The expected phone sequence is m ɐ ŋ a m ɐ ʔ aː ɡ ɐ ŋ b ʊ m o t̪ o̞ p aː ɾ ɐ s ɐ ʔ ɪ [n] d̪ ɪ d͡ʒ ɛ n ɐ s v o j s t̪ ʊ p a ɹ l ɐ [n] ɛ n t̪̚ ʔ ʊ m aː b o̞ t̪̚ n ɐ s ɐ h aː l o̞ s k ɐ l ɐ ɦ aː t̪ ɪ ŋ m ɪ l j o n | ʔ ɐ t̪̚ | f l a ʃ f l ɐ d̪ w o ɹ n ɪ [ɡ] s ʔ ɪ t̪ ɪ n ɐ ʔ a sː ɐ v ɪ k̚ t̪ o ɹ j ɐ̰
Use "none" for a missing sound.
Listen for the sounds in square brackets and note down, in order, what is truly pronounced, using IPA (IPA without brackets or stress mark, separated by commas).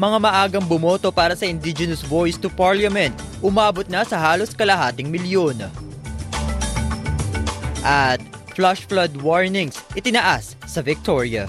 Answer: n, m, ŋ